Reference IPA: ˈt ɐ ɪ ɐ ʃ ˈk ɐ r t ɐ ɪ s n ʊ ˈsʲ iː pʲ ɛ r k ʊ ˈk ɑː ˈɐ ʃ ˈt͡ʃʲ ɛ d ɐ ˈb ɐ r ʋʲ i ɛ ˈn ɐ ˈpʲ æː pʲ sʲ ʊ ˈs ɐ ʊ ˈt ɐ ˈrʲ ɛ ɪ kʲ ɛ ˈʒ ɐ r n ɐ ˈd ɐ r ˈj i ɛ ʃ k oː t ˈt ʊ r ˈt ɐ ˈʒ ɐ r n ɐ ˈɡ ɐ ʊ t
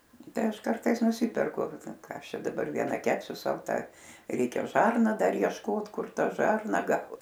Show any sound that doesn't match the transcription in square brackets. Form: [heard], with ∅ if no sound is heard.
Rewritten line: ˈt ɐ ɪ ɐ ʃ ˈk ɐ r t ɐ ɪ s n ʊ ˈsʲ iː pʲ ɛ r k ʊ ˈk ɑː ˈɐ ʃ ˈt͡ʃʲ ɛ d ɐ ˈb ɐ r ʋʲ i ɛ ˈn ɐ [ˈkʲ] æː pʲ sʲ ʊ ˈs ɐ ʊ ˈt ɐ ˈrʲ ɛ ɪ kʲ ɛ ˈʒ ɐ r n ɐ ˈd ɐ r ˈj i ɛ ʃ k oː t [ˈk] ʊ r ˈt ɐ ˈʒ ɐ r n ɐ ˈɡ ɐ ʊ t